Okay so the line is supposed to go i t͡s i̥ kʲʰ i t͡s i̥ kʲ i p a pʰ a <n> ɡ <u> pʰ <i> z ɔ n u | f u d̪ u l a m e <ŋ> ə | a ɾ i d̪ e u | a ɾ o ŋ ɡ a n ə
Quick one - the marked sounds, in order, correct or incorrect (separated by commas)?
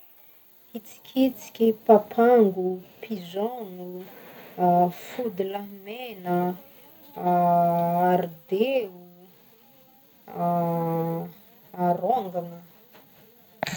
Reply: incorrect, correct, correct, incorrect